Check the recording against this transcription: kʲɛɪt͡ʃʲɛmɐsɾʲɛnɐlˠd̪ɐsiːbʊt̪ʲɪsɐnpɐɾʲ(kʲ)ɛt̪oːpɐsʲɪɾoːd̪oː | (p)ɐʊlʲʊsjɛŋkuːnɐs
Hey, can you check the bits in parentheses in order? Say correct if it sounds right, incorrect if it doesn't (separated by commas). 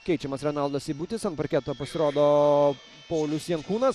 correct, correct